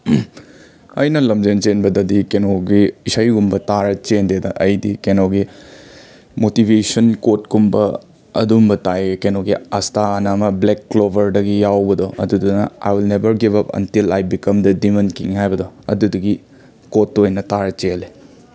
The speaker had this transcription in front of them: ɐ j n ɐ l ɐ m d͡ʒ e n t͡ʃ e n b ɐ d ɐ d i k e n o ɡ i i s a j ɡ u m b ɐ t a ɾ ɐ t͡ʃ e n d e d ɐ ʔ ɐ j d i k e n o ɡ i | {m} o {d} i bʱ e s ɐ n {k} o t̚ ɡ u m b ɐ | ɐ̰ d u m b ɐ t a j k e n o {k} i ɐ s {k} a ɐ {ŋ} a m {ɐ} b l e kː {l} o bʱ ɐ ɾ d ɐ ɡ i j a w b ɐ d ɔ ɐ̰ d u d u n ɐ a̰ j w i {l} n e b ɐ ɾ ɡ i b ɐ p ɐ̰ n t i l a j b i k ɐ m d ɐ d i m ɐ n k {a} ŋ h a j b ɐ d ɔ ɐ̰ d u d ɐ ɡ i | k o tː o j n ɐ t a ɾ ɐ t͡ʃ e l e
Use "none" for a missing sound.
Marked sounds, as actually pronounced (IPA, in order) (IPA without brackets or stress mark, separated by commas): m, t, k, ɡ, t, n, ɐ, l, l, i